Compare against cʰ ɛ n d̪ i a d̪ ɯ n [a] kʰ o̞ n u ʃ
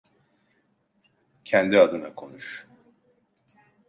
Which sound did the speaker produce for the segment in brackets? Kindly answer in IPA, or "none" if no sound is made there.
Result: a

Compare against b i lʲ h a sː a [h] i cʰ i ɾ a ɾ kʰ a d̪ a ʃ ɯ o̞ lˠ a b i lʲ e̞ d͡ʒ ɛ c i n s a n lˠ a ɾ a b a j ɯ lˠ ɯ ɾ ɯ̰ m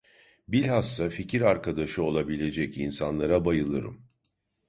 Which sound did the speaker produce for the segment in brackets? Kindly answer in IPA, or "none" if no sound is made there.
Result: f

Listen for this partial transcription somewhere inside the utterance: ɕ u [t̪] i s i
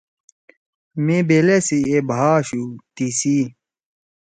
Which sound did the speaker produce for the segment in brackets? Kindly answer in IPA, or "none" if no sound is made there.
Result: t̪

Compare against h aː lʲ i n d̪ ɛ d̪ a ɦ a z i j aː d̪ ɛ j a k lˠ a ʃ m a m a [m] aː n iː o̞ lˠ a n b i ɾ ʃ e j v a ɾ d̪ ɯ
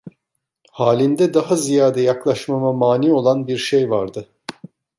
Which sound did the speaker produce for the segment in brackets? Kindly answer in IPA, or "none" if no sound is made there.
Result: m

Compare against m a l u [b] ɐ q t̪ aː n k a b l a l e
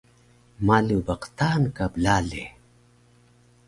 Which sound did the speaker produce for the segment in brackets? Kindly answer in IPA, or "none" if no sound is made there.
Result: b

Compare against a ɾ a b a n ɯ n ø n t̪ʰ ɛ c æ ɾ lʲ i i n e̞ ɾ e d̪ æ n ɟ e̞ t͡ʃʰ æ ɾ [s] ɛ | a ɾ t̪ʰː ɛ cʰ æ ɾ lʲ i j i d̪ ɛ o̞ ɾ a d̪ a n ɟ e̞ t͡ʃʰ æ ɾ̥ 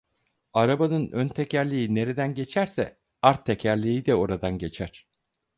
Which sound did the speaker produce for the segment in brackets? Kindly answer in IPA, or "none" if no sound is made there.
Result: s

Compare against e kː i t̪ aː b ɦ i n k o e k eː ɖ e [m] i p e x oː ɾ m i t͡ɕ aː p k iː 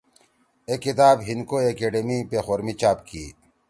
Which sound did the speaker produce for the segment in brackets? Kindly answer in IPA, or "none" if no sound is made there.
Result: m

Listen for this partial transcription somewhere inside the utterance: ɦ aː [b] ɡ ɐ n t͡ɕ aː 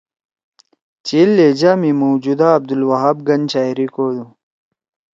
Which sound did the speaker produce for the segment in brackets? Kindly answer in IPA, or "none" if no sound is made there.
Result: b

